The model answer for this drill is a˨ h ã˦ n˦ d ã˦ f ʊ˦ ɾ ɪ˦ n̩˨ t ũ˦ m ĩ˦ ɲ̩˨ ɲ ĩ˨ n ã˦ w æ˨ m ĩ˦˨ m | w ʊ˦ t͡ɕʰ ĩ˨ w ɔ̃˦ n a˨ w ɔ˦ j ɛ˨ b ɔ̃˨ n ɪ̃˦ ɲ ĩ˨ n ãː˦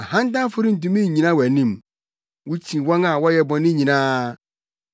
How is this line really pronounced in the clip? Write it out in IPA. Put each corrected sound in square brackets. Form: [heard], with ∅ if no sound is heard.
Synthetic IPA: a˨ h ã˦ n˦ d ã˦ f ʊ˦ ɾ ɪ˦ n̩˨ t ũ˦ m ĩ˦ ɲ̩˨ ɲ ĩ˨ n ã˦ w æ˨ [n] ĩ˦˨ m | w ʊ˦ t͡ɕʰ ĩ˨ w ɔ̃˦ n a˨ w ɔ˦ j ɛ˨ b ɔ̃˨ n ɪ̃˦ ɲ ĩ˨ n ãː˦